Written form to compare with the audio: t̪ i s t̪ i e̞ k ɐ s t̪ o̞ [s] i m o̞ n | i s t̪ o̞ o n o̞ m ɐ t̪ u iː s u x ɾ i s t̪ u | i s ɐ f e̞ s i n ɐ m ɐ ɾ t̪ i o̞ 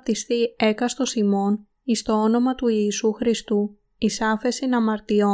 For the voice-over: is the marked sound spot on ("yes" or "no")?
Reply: yes